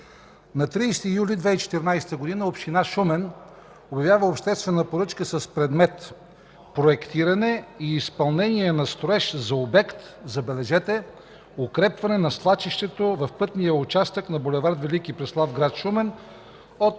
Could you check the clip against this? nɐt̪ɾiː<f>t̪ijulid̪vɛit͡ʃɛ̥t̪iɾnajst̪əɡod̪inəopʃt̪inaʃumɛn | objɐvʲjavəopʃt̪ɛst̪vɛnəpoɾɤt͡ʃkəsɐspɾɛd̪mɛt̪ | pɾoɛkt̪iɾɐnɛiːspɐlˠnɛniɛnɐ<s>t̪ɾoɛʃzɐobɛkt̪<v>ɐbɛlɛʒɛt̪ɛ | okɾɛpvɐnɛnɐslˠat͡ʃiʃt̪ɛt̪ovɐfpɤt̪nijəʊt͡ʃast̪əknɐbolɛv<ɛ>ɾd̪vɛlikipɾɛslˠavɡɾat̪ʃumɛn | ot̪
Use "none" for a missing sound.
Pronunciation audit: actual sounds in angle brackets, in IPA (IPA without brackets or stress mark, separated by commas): s, s, z, a